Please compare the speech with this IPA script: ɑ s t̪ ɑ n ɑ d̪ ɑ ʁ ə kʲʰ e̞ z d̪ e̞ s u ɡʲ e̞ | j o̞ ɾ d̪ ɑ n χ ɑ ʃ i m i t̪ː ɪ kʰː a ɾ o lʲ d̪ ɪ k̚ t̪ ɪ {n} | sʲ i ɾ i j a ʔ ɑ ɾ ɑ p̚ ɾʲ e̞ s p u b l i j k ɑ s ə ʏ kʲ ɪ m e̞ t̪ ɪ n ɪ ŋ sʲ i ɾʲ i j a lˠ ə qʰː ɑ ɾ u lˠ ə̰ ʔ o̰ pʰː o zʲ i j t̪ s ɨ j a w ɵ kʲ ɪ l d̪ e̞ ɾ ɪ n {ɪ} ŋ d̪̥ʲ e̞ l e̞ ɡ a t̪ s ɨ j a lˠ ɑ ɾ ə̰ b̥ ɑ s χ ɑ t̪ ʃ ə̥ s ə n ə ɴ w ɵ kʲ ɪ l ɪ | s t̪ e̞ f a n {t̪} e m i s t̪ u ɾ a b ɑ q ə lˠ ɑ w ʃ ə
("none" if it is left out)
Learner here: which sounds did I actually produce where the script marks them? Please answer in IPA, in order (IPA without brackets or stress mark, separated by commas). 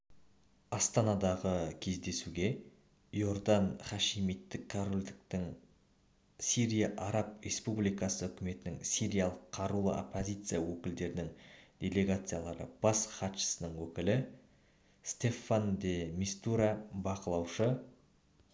ŋ, ɪ, d̪